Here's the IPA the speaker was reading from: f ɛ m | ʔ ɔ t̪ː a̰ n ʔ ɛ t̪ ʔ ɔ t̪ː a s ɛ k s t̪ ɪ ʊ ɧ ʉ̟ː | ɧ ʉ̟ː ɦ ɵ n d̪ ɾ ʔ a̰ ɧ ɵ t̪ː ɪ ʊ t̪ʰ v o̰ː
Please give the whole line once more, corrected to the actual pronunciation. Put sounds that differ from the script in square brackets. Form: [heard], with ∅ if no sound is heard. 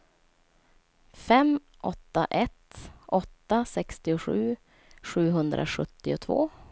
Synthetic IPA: f ɛ m | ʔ ɔ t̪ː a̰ [∅] ʔ ɛ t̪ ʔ ɔ t̪ː a s ɛ k s t̪ ɪ ʊ ɧ ʉ̟ː | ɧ ʉ̟ː ɦ ɵ n d̪ ɾ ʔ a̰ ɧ ɵ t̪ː ɪ ʊ t̪ʰ v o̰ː